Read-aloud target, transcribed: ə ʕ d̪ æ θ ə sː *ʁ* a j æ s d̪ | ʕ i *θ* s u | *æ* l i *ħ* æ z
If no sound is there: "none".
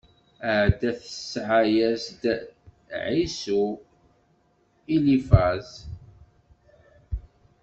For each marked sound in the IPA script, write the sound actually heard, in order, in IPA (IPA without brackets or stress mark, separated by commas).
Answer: ʕ, none, i, f